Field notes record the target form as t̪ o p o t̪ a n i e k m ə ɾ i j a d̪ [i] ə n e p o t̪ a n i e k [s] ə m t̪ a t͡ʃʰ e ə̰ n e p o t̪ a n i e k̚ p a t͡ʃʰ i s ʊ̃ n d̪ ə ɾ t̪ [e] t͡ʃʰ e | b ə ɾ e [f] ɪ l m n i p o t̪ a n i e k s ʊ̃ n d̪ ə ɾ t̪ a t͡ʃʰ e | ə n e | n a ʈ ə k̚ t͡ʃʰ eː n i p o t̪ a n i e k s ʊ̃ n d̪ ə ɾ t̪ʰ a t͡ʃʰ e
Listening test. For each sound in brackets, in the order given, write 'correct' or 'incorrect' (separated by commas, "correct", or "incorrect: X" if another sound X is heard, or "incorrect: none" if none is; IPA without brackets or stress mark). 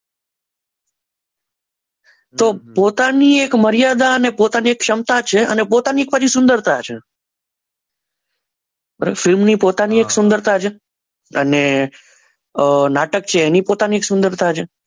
incorrect: a, incorrect: ʃ, incorrect: a, correct